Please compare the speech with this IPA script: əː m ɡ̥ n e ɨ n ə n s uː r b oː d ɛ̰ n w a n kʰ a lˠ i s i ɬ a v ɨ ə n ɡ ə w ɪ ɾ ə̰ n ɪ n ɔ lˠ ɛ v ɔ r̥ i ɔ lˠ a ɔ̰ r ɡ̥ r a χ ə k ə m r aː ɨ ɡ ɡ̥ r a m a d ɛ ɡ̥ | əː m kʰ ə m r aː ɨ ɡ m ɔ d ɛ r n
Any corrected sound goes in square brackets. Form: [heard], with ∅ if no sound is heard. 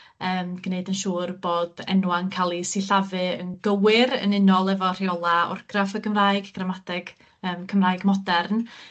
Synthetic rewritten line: əː m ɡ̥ n e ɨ [d] ə n [ʃ] uː r b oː d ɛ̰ n w a n kʰ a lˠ i s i ɬ a v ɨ ə n ɡ ə w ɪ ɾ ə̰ n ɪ n ɔ lˠ ɛ v ɔ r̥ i ɔ lˠ a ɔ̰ r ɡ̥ r a [f] ə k ə m r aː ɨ ɡ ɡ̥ r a m a d ɛ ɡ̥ | əː m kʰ ə m r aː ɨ ɡ m ɔ d ɛ r n